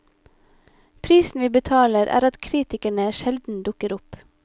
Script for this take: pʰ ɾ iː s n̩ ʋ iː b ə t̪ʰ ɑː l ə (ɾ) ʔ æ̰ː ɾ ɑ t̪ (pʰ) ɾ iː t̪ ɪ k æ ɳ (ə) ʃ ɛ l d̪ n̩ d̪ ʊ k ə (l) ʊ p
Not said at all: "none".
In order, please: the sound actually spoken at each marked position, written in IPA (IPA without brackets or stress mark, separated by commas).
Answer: ɾ, kʰ, ə, ɾ